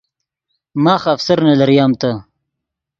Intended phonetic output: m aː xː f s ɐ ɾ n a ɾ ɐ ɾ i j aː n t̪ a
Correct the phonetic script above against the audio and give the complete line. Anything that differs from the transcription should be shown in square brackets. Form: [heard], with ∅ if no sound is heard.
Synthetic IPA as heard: m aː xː f s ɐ ɾ n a [l] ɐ ɾ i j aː [m] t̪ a

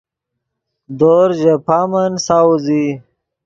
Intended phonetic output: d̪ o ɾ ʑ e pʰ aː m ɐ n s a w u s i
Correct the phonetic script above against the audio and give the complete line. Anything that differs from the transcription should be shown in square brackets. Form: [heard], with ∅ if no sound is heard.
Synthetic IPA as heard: d̪ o ɾ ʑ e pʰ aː m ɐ n s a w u [z] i

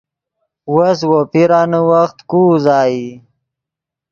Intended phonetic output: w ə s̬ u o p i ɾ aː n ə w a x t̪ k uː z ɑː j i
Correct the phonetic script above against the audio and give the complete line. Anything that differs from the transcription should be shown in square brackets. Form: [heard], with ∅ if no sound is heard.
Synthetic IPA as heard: w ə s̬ [w] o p i ɾ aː n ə w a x t̪ k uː z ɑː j i

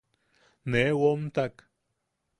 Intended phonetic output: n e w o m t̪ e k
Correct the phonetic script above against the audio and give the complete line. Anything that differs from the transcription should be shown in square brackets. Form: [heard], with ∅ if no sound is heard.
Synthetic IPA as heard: n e w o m t̪ [a] k

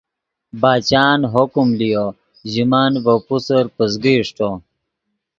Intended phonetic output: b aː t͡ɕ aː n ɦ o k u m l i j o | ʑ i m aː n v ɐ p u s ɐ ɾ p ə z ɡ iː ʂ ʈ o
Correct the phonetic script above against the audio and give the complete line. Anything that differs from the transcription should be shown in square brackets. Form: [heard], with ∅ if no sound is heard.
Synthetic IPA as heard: b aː t͡ɕ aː n ɦ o k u m l i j o | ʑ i m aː n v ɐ p u s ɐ ɾ p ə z ɡ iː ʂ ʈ o

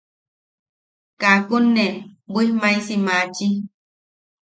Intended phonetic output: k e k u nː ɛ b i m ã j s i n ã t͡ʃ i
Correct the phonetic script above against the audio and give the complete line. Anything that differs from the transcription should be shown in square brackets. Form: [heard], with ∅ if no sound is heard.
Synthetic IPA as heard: k [a] k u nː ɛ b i m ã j s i [m] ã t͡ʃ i

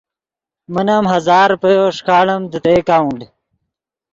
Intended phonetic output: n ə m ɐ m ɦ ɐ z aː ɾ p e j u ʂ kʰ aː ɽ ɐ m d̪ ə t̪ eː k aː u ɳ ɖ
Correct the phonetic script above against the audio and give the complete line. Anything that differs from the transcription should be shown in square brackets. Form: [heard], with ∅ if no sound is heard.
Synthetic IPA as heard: [m] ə [n] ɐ m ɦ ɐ z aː ɾ p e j [o] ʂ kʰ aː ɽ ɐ m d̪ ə t̪ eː k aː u ɳ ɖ

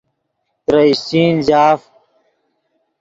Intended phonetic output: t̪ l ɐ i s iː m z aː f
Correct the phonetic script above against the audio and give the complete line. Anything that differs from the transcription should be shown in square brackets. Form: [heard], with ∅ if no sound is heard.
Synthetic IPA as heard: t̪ [ɾ] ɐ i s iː [n] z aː f

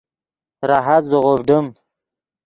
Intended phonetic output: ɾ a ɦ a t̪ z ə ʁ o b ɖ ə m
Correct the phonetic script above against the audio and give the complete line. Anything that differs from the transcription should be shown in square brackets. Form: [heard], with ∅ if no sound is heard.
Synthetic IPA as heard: ɾ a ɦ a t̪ z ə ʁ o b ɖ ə m

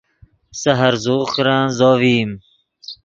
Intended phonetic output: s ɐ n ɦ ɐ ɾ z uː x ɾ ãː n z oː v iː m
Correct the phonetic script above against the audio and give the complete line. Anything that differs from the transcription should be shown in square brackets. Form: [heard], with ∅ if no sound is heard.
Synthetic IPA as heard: s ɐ [∅] ɦ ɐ ɾ z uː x ɾ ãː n z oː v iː m

